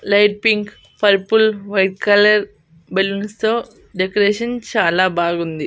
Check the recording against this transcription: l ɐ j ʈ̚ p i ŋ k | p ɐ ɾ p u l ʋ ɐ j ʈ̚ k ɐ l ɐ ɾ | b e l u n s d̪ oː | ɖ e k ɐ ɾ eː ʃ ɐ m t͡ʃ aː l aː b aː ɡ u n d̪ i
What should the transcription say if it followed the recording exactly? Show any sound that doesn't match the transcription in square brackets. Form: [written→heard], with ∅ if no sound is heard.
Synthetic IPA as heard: l ɐ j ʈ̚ p i ŋ k | p ɐ ɾ p u l ʋ ɐ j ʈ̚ k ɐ l ɐ ɾ | b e l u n s [d̪→t̪] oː | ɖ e k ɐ ɾ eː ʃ ɐ [m→n] t͡ʃ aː l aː b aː ɡ u n d̪ i